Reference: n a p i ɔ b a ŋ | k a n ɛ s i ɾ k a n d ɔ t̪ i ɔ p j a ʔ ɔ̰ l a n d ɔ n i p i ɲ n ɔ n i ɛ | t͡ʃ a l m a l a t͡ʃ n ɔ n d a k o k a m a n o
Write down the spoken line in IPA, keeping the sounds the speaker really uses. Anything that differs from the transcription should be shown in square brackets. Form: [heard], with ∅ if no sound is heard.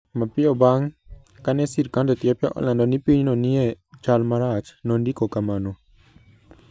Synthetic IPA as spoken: [m] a p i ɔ b a ŋ | k a n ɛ s i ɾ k a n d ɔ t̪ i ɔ p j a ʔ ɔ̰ l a n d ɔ n i p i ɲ n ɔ n i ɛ | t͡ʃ a l m a [ɾ] a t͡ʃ n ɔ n d [i] k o k a m a n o